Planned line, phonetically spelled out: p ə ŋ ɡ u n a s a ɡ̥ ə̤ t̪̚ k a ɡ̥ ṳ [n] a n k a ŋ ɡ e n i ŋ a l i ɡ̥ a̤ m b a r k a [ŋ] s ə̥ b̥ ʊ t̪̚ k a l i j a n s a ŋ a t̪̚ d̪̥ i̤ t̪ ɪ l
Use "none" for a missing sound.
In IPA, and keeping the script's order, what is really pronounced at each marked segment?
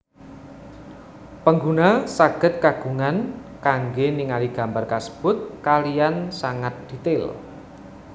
ŋ, none

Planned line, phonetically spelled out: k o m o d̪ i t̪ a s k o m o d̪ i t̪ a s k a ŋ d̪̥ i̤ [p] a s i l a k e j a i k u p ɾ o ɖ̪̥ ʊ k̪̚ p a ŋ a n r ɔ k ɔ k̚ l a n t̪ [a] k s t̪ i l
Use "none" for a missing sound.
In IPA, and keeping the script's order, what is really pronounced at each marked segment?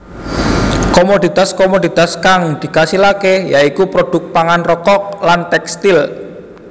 k, ɛ

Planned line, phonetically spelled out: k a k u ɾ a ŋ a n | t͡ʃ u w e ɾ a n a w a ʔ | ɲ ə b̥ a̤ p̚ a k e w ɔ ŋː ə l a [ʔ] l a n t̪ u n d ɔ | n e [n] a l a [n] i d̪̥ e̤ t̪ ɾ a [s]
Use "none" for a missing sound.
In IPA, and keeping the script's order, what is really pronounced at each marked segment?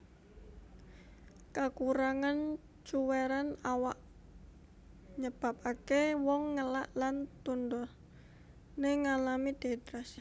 ʔ, ŋ, m, s

